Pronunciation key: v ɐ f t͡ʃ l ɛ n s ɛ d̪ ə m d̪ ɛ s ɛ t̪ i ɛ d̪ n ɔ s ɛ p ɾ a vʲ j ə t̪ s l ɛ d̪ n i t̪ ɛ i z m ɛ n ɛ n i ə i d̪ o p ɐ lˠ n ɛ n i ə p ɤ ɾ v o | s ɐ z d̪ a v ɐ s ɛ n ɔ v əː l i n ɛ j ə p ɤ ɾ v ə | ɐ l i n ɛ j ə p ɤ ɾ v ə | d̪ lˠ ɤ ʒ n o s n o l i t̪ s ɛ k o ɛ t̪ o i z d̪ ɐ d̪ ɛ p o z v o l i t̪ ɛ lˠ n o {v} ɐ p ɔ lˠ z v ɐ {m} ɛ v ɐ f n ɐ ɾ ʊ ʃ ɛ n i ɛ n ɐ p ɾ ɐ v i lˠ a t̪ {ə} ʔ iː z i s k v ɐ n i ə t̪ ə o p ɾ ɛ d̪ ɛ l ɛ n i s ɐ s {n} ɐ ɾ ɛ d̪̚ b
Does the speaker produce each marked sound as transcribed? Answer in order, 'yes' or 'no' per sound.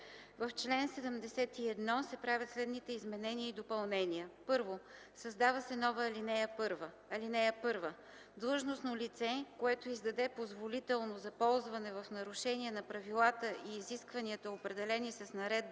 no, no, yes, yes

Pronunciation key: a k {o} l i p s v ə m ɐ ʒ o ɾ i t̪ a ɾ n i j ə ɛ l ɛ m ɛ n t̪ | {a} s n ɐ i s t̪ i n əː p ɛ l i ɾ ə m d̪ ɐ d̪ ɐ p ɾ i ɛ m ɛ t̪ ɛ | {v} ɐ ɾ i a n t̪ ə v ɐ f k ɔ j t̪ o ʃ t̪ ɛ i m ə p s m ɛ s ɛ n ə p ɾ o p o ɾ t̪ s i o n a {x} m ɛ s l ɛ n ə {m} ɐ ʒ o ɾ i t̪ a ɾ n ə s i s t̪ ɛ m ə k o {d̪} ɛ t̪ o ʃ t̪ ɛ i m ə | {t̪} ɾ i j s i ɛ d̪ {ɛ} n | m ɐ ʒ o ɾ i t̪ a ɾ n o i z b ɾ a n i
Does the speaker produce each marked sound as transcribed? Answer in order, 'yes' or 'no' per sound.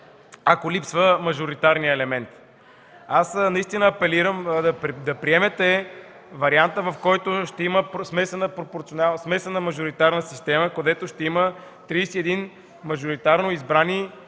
yes, yes, yes, no, yes, yes, yes, no

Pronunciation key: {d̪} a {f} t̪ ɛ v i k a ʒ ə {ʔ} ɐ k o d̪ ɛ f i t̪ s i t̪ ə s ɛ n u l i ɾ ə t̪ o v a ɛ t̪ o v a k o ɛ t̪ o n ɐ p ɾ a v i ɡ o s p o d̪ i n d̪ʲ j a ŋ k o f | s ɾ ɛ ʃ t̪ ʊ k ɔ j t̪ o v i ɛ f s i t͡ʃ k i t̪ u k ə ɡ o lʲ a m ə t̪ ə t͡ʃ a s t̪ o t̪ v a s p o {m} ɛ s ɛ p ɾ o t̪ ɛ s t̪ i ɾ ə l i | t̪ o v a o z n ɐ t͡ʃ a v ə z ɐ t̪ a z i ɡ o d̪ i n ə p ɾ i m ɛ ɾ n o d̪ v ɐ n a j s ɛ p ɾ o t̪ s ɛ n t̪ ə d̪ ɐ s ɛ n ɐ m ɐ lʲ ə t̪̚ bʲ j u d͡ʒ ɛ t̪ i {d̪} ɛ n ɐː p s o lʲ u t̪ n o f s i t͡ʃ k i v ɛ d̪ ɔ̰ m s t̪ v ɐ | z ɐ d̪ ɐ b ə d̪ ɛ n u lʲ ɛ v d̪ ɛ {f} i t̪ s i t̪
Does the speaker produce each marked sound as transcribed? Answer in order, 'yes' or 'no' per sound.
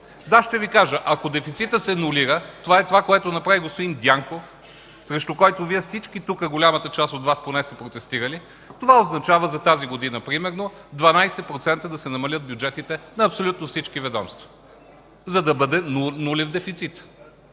yes, no, yes, no, no, yes

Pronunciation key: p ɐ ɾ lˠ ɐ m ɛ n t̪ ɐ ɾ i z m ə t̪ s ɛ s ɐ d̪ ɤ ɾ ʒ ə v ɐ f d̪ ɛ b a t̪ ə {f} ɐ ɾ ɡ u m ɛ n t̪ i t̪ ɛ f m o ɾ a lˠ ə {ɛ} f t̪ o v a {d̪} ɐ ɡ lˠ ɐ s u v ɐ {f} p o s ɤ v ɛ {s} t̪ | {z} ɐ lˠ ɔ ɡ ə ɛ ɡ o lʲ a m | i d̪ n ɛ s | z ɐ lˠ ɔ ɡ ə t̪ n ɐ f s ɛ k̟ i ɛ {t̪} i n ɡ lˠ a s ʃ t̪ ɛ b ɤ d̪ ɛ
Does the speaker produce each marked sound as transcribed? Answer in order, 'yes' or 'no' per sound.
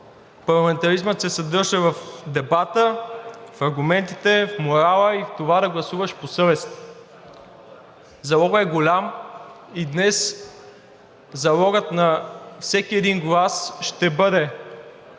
yes, no, yes, no, yes, yes, no

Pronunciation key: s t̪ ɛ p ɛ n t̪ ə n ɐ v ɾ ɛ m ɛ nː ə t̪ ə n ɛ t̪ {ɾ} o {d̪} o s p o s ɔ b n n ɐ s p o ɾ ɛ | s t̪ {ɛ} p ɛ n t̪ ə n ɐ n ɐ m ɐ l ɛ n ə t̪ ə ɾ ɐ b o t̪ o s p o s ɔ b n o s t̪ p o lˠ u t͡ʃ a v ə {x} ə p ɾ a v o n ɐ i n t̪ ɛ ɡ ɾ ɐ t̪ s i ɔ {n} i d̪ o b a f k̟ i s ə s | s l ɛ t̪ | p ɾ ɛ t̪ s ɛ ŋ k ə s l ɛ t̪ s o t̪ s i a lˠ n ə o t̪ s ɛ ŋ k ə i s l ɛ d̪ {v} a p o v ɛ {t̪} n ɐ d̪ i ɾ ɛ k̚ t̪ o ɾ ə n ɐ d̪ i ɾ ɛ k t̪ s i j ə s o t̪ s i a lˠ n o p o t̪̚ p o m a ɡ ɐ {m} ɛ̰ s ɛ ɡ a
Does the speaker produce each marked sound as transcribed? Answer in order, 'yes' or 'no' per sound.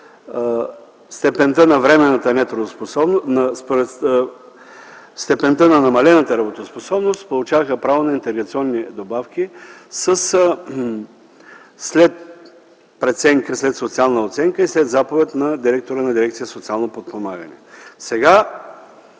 yes, yes, yes, yes, no, no, yes, no

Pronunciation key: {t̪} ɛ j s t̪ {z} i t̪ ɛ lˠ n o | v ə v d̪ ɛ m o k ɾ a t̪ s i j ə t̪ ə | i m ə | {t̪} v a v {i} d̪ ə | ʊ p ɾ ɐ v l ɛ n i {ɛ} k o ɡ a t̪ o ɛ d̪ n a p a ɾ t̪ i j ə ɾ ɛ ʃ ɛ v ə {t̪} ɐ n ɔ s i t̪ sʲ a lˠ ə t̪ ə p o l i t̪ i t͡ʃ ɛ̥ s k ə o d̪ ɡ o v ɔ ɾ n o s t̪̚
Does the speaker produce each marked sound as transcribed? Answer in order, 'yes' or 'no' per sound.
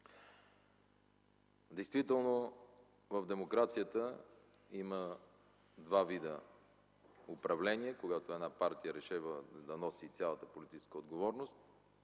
no, no, no, yes, yes, no

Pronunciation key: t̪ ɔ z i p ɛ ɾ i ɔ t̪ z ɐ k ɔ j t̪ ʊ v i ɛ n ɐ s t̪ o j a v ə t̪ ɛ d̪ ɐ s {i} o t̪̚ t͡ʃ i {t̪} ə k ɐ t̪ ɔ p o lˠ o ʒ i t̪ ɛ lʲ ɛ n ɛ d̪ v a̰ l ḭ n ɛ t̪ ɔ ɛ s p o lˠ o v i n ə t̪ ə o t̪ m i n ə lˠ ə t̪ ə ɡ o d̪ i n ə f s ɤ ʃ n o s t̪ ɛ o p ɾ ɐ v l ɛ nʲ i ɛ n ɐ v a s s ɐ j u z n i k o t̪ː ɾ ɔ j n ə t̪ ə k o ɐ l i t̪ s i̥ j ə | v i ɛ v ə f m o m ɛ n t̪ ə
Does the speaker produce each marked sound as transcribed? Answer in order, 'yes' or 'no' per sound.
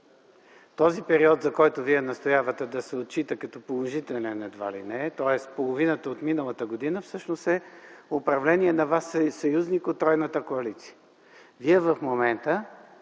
no, yes

